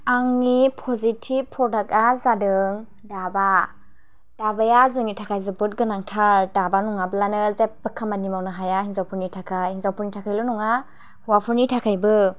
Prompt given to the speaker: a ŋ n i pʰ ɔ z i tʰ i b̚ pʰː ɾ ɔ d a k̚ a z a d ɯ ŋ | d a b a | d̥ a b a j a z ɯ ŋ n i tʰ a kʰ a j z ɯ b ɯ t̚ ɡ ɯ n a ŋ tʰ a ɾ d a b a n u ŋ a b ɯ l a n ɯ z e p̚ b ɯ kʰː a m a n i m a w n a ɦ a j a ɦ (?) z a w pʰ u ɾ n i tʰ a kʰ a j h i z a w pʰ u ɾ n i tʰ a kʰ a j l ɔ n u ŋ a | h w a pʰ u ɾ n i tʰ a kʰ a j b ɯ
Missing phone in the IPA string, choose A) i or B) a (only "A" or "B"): A